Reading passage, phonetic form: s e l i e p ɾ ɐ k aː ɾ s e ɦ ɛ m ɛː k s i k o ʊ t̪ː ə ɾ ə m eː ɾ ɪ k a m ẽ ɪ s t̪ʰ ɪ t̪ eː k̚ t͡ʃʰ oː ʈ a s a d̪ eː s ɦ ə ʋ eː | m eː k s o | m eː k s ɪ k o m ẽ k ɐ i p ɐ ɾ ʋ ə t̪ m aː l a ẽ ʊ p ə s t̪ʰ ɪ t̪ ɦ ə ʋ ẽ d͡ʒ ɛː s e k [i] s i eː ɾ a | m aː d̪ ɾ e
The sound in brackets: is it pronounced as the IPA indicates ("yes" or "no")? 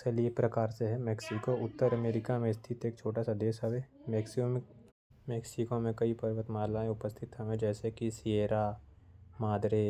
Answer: yes